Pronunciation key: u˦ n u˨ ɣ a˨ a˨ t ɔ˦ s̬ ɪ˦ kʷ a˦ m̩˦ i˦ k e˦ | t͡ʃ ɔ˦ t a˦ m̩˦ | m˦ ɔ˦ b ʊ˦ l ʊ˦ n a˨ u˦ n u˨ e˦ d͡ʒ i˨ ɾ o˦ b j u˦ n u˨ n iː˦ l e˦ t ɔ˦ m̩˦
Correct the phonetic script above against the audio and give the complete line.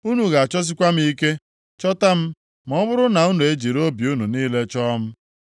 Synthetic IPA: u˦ n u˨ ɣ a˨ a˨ t͡ʃ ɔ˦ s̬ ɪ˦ kʷ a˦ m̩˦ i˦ k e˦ | t͡ʃ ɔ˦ t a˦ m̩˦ | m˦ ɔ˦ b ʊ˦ ɾ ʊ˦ n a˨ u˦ n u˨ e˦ d͡ʒ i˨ ɾ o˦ b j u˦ n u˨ n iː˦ l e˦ t͡ʃ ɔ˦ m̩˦

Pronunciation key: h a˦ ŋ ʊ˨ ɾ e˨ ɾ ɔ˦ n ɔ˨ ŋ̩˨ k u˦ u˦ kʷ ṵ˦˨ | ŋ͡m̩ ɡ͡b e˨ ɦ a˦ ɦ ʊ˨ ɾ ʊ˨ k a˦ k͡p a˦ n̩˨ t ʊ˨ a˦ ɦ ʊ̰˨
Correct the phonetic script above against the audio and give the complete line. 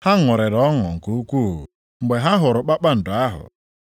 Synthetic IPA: h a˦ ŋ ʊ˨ ɾ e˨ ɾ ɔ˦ ŋ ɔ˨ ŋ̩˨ k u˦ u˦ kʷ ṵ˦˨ | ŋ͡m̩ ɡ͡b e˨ ɦ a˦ ɦ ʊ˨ ɾ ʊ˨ k͡p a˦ k͡p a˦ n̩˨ d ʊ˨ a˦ ɦ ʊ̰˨

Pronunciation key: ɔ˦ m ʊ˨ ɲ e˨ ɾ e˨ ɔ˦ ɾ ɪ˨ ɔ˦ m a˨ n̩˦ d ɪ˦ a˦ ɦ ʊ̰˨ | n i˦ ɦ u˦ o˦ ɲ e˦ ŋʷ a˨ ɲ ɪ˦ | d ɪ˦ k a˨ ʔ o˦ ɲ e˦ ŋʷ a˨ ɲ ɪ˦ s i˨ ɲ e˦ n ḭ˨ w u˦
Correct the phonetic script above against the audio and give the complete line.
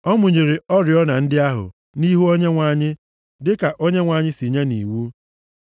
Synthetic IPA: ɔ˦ m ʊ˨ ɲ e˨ ɾ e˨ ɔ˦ ɾ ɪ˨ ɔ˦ n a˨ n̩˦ d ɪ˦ a˦ ɦ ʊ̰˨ | n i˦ ɦ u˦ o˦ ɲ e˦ ŋʷ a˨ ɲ ɪ˦ | d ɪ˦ k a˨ ʔ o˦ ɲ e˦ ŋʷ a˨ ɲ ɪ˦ s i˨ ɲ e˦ n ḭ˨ w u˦

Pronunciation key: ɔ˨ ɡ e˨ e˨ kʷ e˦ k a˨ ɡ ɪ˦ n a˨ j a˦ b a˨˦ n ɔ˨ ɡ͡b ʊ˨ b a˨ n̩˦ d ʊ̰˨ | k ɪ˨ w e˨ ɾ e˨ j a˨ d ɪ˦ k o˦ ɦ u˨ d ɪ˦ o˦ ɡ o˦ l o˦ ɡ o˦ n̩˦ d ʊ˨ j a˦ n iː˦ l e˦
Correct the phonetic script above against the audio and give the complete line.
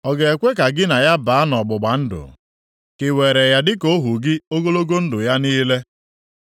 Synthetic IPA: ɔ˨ ɡ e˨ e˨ kʷ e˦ k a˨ ɡ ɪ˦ n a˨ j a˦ b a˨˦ n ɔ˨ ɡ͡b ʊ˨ ɡ͡b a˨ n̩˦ d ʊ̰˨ | k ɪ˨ w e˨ ɾ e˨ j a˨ d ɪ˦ k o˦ ɦ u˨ ɡ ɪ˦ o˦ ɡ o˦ l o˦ ɡ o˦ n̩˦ d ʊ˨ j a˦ n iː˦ l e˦

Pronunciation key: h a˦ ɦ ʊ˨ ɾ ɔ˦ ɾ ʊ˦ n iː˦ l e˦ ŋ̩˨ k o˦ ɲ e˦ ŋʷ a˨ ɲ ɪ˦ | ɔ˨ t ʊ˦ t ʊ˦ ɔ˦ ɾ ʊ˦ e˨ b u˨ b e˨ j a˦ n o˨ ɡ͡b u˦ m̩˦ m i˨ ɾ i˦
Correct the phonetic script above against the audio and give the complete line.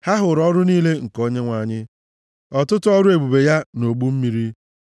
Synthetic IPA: h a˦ ɦ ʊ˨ ɾ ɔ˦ ɾ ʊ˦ n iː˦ l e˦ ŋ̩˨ k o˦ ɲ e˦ ŋʷ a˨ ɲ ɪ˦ | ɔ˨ t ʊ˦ t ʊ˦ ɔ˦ ɾ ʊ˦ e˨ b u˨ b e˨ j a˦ n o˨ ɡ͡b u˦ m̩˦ m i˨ ɾ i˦

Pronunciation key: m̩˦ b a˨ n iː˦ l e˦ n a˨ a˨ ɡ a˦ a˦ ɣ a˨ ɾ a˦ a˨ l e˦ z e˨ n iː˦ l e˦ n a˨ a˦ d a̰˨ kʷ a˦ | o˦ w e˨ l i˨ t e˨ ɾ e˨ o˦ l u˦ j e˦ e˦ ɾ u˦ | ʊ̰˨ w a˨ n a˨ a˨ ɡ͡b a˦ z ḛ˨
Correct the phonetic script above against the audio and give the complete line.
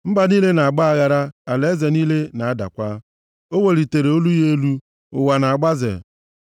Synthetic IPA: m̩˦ b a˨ n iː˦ l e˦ n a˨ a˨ ɡ͡b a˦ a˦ ɣ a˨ ɾ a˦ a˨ l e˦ z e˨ n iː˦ l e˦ n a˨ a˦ d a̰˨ kʷ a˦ | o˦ w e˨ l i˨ t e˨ ɾ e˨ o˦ l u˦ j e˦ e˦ l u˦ | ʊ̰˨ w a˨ n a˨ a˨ ɡ͡b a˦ z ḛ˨

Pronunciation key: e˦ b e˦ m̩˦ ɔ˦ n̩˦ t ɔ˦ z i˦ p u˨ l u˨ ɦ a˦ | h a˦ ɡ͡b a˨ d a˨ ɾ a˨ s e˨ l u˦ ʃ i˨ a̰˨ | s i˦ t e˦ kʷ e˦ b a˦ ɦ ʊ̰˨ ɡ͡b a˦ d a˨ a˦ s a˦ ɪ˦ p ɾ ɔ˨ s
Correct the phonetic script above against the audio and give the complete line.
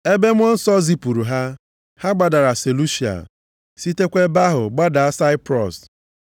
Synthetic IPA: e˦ b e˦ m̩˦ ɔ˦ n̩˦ s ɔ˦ z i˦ p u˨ ɾ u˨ ɦ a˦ | h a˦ ɡ͡b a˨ d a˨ ɾ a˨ s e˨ l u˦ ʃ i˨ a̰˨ | s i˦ t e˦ kʷ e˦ b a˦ ɦ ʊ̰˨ ɡ͡b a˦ d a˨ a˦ s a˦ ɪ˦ p ɾ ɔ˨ s

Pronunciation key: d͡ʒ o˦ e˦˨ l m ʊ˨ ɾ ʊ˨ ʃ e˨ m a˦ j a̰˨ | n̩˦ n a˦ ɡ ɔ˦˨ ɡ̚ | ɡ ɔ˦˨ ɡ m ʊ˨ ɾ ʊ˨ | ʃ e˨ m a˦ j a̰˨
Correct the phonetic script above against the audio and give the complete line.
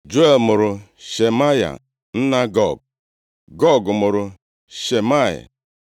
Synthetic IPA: d͡ʒ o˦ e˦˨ l m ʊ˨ ɾ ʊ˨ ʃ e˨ m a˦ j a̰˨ | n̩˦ n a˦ ɡ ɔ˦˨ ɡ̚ | ɡ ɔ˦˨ ɡ m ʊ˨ ɾ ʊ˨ | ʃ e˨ m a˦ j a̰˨

